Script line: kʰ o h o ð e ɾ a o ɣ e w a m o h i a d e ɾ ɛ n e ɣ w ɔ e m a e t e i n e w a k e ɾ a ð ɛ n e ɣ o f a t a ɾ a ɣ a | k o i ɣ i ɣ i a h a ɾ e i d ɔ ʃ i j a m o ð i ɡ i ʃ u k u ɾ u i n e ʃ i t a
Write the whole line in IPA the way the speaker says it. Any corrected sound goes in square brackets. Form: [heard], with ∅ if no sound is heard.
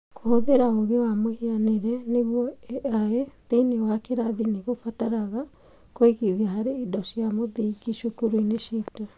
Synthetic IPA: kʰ o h o ð e ɾ a o ɣ e w a m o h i a [n] e ɾ ɛ n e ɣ w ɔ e [∅] a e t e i n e w a k e ɾ a ð [i] n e ɣ o f a t a ɾ a ɣ a | k o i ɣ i [ð] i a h a ɾ e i d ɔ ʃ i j a m o ð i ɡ i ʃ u k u ɾ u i n e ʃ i t a